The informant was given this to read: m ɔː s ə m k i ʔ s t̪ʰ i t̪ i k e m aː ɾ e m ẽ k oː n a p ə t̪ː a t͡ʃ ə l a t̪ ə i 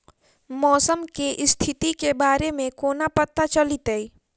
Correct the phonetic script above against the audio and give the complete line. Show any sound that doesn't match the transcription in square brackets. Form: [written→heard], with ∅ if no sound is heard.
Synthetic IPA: m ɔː s ə m k [i→e] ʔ s t̪ʰ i t̪ i k e [m→b] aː ɾ e m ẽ k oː n a p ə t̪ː a t͡ʃ ə l [a→i] t̪ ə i